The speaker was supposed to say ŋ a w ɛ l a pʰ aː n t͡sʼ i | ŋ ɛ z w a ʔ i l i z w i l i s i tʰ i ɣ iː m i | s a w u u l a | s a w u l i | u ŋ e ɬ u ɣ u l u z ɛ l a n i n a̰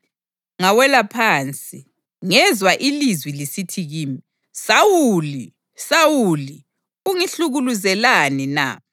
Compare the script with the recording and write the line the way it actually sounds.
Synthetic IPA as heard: ŋ a w ɛ l a pʰ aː n t͡sʼ i | ŋ ɛ z w a ʔ i l i z w i l i s i tʰ i ɣ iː m i | s a w u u l i | s a w u l i | u ŋ i ɬ u ɣ u l u z ɛ l a n i n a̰